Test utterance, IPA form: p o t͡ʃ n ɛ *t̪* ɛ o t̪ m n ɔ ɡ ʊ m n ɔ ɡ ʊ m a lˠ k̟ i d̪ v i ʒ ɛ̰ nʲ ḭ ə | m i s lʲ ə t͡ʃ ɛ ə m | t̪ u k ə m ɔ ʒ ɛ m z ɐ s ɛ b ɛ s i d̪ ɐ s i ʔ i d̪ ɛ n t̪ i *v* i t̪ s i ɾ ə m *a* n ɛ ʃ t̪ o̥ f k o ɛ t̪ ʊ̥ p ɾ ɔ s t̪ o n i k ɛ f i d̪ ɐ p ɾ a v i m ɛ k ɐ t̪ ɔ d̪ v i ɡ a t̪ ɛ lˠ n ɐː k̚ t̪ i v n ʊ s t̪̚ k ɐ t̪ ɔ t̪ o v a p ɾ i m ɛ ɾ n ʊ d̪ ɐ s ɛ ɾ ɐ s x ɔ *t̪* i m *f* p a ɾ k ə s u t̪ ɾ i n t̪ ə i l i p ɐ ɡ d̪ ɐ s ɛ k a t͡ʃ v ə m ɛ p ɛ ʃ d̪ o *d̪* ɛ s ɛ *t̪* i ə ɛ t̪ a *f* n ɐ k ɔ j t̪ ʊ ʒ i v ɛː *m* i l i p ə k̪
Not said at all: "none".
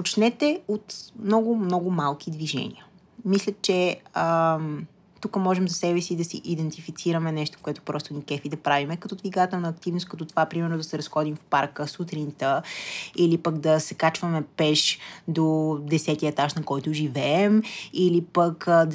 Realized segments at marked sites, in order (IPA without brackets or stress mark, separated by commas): t̪, f, ɛ, d̪, f, d̪, t̪, ʃ, m